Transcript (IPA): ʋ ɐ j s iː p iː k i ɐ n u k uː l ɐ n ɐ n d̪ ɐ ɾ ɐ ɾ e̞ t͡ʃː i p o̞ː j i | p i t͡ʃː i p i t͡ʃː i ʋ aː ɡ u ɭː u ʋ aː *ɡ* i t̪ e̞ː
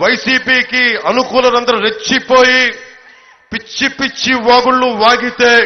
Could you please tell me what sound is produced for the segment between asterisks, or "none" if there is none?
ɡ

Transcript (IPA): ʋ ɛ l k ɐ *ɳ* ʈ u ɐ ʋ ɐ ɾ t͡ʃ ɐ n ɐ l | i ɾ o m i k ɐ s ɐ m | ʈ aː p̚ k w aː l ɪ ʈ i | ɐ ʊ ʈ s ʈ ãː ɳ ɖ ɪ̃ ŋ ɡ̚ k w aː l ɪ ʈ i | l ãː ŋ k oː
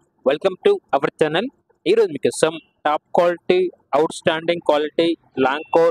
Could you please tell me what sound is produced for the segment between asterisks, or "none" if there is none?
m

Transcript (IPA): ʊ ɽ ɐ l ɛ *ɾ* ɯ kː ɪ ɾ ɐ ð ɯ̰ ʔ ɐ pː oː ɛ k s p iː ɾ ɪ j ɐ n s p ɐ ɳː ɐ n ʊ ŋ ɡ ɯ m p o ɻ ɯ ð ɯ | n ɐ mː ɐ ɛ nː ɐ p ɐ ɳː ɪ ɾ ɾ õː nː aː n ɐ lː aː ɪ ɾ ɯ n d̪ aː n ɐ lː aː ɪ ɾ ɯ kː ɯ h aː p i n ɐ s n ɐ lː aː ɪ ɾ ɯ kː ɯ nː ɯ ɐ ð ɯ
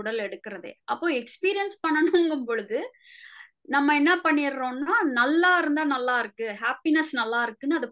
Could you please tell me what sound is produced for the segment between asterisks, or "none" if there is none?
ɽ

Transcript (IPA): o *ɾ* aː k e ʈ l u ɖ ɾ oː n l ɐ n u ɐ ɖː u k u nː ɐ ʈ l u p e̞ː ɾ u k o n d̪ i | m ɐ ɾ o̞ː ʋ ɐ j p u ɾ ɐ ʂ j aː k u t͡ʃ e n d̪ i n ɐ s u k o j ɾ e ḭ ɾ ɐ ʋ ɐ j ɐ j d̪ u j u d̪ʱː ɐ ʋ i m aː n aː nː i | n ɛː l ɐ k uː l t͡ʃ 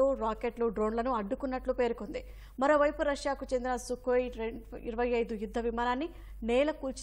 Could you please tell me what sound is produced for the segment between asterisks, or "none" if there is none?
ɾ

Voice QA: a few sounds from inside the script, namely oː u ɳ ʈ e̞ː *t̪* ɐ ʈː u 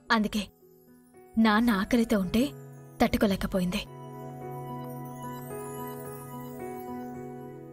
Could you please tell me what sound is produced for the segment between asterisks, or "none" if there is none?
t̪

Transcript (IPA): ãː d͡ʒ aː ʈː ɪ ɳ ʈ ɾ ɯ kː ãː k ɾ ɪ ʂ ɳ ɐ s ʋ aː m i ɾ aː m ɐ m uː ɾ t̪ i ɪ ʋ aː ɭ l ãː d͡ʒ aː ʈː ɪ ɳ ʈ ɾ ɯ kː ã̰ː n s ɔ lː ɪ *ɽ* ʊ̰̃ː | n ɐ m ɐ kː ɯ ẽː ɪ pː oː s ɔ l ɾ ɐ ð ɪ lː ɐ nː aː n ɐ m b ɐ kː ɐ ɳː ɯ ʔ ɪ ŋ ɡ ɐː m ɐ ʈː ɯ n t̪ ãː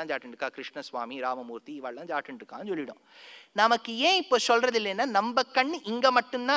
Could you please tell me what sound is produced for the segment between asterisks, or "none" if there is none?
ɽ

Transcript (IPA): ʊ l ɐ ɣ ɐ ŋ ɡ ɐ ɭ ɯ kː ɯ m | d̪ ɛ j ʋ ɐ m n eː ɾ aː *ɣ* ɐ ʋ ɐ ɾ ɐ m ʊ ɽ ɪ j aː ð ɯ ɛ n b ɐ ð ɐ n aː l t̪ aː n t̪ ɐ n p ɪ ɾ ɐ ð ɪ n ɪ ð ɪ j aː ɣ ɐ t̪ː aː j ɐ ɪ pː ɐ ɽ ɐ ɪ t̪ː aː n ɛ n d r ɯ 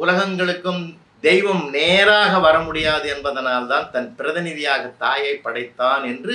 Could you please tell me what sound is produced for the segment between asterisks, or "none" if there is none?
ɣ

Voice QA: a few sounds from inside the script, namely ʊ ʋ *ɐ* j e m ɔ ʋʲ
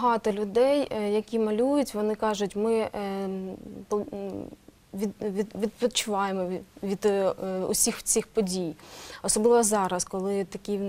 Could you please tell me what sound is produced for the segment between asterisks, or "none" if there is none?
ɑ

